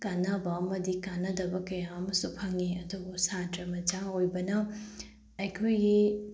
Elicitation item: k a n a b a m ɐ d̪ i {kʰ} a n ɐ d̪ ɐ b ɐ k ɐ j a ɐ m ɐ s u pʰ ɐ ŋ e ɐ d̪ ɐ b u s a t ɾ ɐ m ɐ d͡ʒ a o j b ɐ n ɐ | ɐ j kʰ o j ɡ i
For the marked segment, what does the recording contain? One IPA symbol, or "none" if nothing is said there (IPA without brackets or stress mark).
k